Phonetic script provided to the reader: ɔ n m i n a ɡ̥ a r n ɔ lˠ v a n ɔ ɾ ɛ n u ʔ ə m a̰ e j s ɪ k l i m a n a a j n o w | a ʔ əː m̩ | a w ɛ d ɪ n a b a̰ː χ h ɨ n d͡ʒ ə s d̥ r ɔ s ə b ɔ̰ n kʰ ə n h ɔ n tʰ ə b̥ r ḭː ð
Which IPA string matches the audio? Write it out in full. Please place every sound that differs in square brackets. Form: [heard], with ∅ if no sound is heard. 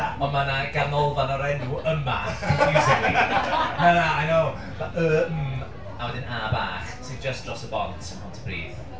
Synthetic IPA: ɔ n m [a] n a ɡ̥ a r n ɔ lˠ v a n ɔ ɾ ɛ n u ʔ ə m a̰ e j s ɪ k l i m a n a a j n o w | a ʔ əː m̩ | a w ɛ d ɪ n a b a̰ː χ [s] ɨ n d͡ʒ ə s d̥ r ɔ s ə b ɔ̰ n [tʰ] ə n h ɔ n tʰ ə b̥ r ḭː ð